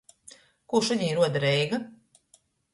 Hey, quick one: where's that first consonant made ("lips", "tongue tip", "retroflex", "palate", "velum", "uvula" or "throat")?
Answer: velum